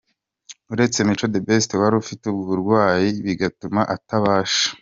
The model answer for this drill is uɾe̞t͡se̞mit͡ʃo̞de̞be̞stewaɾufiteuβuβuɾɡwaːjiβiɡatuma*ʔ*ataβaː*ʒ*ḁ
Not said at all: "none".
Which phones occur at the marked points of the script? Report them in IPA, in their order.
ʔ, ʃ

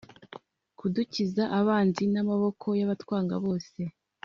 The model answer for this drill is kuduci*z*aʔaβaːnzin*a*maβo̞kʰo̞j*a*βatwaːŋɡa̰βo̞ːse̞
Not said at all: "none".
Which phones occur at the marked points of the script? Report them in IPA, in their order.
z, a, a

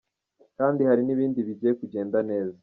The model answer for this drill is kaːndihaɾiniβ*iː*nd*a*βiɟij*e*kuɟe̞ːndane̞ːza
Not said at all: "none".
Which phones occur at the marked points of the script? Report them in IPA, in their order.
iː, i, e

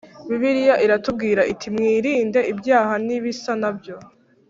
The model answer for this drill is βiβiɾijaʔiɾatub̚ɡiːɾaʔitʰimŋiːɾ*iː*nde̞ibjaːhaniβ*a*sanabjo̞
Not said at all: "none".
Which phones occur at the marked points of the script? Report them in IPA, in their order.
iː, i

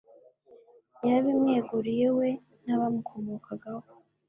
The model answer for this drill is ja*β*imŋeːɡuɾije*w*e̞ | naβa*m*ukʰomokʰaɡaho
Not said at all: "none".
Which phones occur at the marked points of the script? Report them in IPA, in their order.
β, w, m

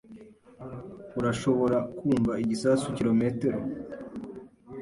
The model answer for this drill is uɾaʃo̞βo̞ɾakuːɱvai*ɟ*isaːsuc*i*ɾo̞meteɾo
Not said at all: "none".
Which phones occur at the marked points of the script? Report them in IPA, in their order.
ɟ, i

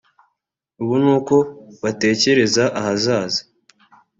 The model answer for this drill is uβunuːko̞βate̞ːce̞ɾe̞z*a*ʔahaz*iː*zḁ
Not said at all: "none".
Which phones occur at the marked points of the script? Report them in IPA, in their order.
a, aː

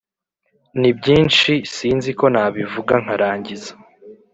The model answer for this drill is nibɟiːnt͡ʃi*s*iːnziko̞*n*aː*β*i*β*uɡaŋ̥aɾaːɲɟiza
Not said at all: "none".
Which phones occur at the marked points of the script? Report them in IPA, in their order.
s, n, β, v

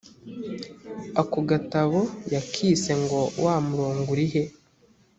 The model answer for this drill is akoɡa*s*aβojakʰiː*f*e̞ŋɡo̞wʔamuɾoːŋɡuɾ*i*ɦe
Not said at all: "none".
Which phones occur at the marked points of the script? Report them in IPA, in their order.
t, s, i

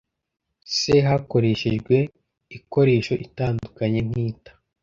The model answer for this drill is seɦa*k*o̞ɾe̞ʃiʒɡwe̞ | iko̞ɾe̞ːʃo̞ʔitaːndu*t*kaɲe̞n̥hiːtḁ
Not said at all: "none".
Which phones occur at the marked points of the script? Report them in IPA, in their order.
k, none

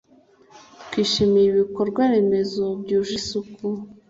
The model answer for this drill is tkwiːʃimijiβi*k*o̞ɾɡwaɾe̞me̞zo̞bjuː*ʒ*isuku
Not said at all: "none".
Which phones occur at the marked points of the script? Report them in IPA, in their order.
k, ʒ

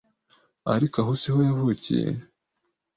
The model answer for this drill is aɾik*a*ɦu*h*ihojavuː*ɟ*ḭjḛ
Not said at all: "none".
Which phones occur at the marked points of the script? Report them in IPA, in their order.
a, s, c

